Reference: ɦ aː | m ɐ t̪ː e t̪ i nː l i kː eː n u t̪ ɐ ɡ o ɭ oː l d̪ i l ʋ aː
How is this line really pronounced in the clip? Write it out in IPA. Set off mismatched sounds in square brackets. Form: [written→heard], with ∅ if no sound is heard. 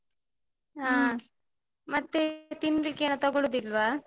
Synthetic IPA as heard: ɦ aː | m ɐ t̪ː e t̪ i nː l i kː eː n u t̪ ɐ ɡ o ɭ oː [l→∅] d̪ i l ʋ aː